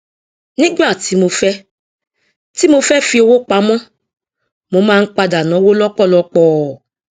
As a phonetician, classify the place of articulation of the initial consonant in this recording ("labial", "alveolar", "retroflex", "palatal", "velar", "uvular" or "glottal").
alveolar